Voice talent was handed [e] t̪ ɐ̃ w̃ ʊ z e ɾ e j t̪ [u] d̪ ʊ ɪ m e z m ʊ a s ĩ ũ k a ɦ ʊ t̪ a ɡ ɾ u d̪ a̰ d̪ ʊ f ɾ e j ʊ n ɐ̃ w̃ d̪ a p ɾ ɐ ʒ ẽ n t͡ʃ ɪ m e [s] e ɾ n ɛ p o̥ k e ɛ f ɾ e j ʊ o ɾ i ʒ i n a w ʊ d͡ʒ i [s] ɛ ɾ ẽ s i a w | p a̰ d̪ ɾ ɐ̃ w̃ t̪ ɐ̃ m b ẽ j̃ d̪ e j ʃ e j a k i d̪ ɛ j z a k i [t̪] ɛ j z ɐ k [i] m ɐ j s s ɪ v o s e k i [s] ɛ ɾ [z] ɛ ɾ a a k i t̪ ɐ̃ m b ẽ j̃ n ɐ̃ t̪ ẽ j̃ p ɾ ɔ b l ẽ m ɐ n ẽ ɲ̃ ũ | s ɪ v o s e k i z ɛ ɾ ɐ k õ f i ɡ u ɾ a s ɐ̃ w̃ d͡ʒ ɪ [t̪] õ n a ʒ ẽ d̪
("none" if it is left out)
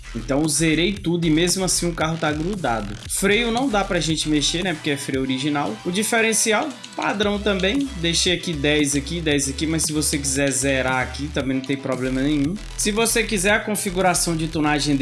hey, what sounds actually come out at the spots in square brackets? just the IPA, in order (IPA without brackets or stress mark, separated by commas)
ẽ, u, ʃ, f, d̪, i, z, z, t̪